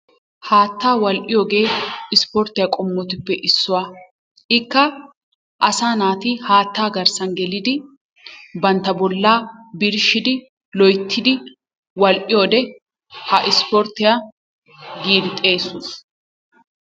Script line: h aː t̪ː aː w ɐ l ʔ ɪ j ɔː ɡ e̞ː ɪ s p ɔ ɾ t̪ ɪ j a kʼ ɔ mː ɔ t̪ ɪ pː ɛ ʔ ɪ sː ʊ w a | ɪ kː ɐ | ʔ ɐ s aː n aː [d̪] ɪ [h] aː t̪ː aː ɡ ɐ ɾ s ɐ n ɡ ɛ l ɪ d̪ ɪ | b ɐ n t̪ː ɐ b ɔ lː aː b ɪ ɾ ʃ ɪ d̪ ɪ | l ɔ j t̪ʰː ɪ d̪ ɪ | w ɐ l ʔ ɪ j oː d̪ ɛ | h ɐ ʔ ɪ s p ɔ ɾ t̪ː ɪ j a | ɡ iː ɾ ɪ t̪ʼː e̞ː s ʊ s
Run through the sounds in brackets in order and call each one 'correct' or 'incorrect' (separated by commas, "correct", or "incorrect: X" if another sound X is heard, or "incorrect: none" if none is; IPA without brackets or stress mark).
incorrect: t̪, correct